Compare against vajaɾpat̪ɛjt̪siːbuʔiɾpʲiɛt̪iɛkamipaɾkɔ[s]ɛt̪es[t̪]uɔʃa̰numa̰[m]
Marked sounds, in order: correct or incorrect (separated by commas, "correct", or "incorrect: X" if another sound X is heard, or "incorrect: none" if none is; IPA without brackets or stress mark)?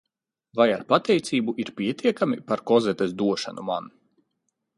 incorrect: z, incorrect: d̪, incorrect: n